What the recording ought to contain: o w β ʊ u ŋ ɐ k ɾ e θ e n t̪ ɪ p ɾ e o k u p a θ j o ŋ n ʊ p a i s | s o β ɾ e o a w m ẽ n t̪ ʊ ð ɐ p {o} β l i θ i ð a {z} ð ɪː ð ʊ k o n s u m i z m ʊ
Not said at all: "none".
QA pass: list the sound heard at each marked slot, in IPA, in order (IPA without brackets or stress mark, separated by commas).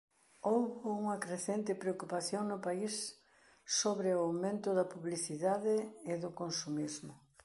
u, none